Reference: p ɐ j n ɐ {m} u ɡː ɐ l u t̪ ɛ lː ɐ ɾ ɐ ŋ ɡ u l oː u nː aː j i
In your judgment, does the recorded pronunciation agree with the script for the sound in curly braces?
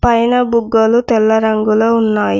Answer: no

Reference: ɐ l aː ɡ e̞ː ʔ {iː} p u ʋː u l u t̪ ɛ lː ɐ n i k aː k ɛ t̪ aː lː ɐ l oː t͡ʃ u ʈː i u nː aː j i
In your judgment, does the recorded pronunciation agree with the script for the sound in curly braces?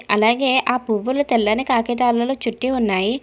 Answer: no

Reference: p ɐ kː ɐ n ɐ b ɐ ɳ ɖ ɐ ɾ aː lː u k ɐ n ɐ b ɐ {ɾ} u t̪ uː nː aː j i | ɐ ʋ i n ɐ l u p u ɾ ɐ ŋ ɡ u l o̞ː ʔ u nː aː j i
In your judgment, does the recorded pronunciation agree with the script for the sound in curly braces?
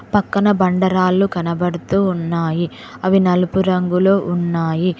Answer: no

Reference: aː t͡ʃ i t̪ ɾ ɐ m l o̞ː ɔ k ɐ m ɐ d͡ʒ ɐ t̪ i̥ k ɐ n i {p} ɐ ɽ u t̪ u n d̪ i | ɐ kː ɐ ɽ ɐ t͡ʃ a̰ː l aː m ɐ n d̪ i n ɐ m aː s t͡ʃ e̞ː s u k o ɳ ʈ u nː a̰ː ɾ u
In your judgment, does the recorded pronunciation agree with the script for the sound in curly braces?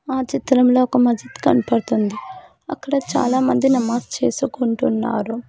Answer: yes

